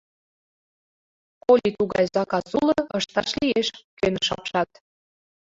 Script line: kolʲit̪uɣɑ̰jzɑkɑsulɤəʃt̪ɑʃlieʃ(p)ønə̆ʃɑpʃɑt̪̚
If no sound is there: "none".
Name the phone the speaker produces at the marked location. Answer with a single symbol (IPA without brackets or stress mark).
k